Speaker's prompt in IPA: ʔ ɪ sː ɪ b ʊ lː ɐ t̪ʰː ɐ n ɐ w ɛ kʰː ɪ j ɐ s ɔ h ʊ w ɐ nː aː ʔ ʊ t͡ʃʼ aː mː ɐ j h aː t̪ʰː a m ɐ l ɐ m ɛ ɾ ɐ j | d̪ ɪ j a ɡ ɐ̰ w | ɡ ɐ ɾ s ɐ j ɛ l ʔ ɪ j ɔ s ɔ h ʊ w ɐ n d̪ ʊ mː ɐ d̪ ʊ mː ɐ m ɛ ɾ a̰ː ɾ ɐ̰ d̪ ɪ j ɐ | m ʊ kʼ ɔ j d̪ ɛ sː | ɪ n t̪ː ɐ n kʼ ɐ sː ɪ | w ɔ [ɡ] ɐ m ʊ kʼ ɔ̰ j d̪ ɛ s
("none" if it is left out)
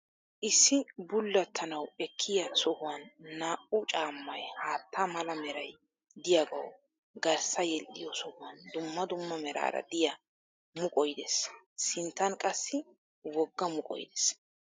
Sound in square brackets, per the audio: ɡː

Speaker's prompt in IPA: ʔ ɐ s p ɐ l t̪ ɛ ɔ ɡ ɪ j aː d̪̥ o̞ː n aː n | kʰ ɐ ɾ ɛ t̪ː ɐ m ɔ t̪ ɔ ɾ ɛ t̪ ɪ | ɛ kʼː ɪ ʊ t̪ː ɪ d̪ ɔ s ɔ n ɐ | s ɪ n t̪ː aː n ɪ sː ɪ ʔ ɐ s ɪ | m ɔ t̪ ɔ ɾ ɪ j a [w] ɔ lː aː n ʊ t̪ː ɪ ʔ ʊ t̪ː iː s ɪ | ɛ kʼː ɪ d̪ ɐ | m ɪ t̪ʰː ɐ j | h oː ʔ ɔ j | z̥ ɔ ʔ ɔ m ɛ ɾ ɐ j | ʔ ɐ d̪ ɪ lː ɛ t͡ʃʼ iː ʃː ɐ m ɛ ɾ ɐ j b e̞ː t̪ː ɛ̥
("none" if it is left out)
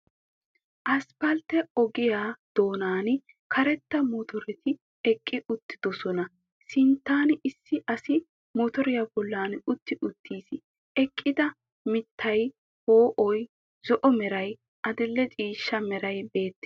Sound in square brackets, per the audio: b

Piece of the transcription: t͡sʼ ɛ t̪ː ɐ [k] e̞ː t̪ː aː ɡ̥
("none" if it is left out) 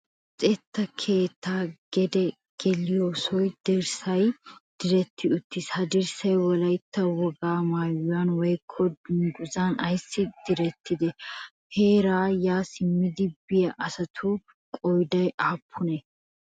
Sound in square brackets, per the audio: kʰ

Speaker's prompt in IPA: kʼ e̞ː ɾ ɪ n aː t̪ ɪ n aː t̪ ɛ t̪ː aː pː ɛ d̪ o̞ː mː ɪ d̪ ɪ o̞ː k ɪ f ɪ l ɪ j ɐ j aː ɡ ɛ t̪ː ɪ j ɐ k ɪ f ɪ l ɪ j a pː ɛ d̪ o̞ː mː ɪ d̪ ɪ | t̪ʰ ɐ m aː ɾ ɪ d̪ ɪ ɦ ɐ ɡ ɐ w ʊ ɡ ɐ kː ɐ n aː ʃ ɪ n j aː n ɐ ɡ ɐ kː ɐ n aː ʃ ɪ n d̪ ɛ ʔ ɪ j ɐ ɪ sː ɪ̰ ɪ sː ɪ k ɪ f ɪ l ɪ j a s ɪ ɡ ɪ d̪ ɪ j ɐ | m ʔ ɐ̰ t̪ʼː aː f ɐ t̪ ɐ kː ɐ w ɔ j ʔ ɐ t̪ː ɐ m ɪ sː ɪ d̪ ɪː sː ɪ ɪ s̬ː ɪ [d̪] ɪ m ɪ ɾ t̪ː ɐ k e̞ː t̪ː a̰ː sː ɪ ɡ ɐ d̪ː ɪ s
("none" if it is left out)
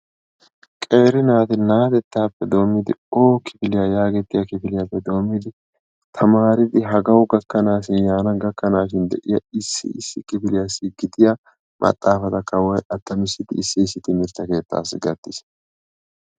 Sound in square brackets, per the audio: t̪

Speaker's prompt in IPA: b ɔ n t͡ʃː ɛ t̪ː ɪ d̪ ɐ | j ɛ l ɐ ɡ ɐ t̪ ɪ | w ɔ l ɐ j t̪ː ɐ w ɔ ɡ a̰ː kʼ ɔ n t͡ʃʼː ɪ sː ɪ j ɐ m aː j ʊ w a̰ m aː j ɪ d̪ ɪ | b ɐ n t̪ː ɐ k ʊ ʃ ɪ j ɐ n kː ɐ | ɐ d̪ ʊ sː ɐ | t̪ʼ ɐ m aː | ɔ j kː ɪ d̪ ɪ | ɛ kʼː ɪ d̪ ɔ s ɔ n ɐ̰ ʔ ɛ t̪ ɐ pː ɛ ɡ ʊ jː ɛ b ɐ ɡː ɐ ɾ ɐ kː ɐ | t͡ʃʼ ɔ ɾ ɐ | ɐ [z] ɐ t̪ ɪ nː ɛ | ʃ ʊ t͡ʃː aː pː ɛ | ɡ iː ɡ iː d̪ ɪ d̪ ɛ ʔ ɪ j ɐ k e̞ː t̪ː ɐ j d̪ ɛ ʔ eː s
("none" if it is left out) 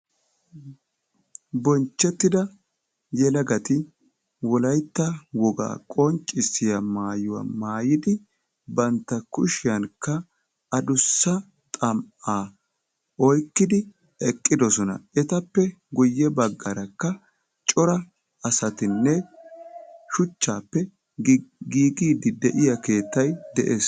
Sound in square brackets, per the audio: s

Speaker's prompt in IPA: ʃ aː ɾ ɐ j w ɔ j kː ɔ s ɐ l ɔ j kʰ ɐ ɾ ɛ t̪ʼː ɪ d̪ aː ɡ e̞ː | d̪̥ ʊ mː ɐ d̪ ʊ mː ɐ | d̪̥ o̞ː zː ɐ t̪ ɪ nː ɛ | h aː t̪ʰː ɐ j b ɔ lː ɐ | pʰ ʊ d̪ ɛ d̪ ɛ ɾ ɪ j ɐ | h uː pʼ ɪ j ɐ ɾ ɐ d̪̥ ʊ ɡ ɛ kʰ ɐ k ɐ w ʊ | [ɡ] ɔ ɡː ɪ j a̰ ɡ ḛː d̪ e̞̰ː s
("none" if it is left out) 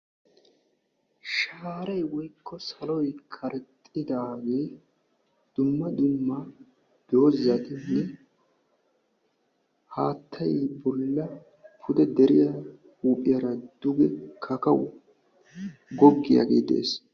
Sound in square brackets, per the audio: ɡ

